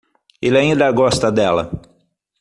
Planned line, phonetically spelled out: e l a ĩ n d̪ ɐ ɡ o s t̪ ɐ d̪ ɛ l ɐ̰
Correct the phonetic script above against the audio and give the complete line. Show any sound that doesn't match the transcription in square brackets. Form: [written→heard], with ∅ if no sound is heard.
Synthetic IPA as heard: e l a ĩ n d̪ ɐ ɡ [o→ɔ] s t̪ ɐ d̪ ɛ l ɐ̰